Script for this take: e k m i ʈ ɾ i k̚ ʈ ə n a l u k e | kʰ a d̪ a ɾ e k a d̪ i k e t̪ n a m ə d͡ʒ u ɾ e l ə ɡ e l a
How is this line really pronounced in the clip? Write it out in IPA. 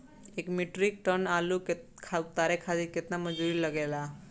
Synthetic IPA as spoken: e k m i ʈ ɾ i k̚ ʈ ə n a l u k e | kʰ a t̪ a ɾ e kʰ a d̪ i k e t̪ n a m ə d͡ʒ u ɾ i l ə ɡ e l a